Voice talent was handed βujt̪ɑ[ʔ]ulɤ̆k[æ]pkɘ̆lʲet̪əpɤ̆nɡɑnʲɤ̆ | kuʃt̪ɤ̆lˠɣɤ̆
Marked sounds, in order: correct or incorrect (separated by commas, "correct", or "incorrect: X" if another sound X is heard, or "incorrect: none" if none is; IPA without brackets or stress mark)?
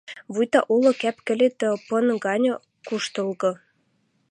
correct, correct